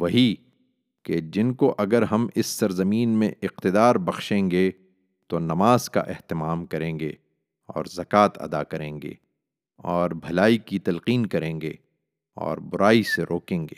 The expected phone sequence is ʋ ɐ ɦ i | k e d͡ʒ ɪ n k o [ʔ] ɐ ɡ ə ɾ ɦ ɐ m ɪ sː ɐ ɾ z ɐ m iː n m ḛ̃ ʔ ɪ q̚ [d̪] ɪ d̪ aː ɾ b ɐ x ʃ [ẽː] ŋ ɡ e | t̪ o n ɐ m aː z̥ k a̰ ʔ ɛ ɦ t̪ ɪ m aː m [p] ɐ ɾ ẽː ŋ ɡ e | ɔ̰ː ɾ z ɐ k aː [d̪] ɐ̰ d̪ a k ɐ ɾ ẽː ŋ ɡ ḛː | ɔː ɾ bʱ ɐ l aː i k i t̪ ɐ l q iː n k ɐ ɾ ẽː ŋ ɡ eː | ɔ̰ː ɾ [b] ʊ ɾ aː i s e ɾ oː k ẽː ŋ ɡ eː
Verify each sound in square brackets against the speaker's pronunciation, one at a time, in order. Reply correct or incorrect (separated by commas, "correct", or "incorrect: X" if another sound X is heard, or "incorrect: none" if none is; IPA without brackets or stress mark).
correct, incorrect: t̪, correct, incorrect: k, incorrect: t̪, correct